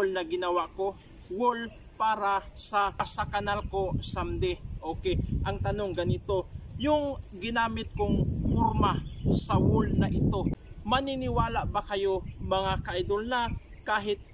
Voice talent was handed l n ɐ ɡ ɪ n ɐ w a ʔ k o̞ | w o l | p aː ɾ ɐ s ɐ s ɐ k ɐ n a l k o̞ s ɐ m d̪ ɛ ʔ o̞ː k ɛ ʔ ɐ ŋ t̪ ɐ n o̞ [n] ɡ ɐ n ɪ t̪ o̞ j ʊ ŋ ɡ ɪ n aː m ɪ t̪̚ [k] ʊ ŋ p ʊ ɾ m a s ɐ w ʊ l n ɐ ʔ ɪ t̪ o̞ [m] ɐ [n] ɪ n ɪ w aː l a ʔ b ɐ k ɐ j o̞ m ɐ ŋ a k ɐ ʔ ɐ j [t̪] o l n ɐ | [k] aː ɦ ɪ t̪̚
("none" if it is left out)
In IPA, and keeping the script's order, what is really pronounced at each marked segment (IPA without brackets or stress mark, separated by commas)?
ŋ, k, m, n, d̪, k